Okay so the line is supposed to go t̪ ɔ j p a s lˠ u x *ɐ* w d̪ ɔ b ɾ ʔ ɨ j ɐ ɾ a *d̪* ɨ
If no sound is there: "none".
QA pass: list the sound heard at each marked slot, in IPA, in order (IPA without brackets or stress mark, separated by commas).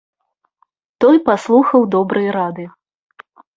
ɐ, d̪